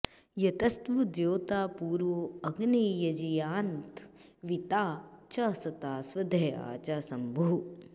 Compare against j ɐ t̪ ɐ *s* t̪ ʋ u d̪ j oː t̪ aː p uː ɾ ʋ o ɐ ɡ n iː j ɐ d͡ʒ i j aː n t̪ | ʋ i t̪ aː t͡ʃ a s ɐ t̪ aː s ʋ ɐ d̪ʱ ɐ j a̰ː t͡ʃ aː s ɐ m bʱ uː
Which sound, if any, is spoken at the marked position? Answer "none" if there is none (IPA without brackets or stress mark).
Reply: s